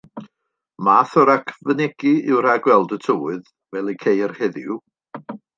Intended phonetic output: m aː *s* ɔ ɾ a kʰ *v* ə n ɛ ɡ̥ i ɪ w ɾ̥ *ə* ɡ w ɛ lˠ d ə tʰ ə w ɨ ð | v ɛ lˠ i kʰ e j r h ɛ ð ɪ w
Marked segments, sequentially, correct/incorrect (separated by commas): incorrect, correct, incorrect